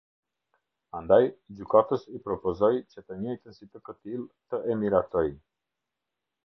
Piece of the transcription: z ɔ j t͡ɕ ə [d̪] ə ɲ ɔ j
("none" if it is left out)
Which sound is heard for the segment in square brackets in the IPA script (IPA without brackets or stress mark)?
t̪